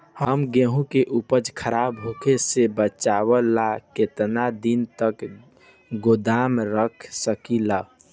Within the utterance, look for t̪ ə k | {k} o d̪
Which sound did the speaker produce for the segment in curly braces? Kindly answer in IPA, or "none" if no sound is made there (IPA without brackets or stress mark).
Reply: ɡ